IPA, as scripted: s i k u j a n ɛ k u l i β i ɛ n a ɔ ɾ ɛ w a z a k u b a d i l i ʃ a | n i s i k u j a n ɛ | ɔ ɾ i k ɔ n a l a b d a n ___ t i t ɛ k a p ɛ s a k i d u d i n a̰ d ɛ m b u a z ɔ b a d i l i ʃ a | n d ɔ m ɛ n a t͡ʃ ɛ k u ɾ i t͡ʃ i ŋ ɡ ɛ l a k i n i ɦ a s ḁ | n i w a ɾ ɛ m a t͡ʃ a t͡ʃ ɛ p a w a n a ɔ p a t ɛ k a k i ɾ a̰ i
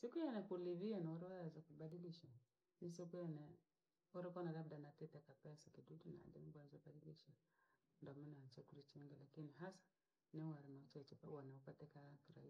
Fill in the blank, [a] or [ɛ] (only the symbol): a